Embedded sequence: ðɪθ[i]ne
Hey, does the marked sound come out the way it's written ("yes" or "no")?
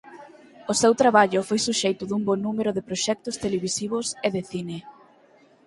yes